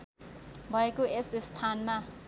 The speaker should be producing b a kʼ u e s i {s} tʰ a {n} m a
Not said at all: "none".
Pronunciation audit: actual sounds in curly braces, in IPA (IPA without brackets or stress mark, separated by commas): s, n